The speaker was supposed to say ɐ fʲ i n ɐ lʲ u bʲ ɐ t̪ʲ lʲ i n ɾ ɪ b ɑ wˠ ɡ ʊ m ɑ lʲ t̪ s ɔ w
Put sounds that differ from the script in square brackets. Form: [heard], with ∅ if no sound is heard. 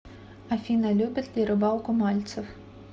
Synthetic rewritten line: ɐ fʲ i n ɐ lʲ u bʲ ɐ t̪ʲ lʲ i [∅] ɾ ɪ b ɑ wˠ [k] ʊ m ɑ lʲ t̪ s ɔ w